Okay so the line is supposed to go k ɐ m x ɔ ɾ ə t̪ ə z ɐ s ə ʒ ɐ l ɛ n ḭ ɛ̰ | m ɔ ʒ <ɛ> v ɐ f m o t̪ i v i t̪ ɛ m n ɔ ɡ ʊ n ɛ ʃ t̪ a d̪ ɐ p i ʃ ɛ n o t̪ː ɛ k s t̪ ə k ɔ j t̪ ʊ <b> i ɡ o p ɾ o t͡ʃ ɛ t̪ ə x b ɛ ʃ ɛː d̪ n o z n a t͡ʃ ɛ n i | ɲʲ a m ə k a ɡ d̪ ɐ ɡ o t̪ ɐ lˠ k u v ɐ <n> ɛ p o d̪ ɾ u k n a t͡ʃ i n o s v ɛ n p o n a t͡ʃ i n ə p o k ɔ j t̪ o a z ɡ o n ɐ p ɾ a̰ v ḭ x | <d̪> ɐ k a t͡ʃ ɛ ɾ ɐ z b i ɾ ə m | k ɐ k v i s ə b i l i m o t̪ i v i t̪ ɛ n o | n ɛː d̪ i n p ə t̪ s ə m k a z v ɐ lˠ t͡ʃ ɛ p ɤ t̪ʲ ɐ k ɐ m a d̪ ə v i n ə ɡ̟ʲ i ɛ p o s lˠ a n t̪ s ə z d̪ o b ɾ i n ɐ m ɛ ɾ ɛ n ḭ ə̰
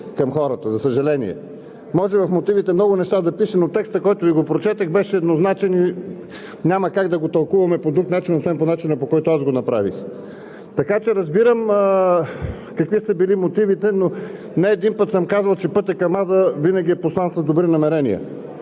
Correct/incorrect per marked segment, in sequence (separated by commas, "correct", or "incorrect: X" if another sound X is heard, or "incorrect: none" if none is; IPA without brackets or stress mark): correct, incorrect: v, incorrect: m, incorrect: t̪